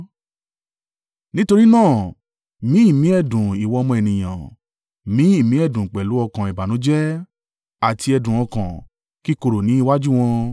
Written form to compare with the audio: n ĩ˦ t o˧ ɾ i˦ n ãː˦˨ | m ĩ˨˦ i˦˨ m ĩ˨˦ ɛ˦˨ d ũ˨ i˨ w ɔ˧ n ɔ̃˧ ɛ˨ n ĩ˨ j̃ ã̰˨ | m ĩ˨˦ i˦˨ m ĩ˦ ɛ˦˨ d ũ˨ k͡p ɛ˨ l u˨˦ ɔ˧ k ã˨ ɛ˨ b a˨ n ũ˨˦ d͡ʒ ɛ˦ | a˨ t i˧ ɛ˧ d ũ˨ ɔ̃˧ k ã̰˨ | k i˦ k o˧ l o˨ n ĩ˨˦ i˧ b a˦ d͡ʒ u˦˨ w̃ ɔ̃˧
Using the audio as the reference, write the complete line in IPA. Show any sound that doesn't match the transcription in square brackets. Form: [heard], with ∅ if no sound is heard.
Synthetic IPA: n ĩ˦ t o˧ ɾ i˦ n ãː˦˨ | m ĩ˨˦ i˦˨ m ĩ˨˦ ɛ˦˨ d ũ˨ i˨ w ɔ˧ [m] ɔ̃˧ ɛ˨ n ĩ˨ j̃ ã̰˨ | m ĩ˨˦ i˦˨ m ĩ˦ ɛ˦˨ d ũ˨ k͡p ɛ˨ l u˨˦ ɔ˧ k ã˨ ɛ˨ b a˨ n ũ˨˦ d͡ʒ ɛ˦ | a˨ t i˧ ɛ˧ d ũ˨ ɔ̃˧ k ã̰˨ | k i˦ k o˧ [ɾ] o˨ n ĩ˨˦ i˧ [w] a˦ d͡ʒ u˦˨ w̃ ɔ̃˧